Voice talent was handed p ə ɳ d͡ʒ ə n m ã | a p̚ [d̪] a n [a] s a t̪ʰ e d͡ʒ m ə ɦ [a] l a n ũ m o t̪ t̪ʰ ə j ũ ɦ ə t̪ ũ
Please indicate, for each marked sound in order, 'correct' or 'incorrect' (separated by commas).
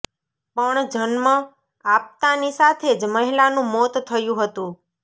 incorrect, incorrect, incorrect